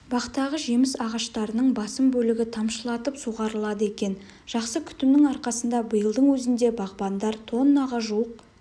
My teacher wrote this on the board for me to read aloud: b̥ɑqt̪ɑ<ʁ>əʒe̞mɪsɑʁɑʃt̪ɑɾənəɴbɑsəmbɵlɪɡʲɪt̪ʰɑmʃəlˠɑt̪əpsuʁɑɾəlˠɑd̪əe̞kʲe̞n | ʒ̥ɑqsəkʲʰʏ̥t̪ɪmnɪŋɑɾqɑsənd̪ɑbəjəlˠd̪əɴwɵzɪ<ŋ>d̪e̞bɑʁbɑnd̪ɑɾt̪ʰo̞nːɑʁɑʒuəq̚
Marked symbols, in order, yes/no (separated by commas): yes, no